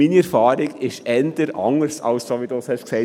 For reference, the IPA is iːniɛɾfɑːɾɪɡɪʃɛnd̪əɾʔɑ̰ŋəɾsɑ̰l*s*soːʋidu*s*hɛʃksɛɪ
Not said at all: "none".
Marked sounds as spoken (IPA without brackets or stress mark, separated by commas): s, s